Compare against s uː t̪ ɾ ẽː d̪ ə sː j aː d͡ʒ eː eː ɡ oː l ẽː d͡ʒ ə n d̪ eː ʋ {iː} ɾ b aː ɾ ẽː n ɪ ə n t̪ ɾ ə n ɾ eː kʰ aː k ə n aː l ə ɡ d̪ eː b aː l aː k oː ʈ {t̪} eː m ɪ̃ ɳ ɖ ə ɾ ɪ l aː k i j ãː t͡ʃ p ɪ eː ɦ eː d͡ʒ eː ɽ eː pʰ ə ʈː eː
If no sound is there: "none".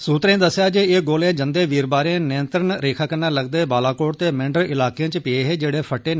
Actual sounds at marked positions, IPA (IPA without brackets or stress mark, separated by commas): iː, t̪